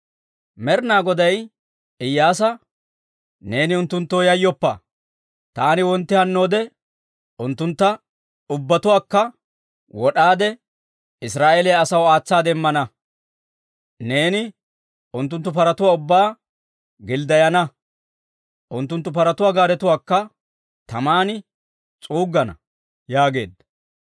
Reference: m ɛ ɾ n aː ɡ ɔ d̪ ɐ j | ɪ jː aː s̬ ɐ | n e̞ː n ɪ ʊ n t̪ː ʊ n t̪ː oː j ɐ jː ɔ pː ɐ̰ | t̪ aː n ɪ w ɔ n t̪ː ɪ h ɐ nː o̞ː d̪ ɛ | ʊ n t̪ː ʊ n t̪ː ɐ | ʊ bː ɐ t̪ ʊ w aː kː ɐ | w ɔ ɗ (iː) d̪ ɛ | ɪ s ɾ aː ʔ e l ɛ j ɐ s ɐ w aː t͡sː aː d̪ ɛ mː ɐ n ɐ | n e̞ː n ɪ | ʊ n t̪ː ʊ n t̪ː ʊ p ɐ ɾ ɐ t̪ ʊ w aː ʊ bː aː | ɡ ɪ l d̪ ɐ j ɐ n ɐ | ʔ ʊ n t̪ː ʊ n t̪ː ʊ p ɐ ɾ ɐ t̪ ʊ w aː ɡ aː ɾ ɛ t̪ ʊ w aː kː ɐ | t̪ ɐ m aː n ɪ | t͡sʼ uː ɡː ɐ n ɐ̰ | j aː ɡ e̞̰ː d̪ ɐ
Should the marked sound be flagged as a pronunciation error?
yes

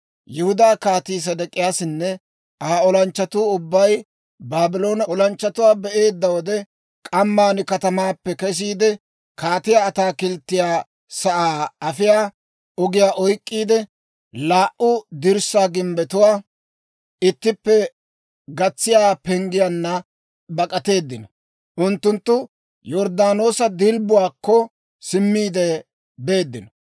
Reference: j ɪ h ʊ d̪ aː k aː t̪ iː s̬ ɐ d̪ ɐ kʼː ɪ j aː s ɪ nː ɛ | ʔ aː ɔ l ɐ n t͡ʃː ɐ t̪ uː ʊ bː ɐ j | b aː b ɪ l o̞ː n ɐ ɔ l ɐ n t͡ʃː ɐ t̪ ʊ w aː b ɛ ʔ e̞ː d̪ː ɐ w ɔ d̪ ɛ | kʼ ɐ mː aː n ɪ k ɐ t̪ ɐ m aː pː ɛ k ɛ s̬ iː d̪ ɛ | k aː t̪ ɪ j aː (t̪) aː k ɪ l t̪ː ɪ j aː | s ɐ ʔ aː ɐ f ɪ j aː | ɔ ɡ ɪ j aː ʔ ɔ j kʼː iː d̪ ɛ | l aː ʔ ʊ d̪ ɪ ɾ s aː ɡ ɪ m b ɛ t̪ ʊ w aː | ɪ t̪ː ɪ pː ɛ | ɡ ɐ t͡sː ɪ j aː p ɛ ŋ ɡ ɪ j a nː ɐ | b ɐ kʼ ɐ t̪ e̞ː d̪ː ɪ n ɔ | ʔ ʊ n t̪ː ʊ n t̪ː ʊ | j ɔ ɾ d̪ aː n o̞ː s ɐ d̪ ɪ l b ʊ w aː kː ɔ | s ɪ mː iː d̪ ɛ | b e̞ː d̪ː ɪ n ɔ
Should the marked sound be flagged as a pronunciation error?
no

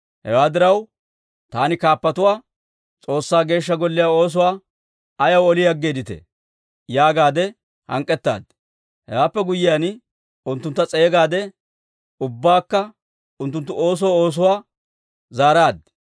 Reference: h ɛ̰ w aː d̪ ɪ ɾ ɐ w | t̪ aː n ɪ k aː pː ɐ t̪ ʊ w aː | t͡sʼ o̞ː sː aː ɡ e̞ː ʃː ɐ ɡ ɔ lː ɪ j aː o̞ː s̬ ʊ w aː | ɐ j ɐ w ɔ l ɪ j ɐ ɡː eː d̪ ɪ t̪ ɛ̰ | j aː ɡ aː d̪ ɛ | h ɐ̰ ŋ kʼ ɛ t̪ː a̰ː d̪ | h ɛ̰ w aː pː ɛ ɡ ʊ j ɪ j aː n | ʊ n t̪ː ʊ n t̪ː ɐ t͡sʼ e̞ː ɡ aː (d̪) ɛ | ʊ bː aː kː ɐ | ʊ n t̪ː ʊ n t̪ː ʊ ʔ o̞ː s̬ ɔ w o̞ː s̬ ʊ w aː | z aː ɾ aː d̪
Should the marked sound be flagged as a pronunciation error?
no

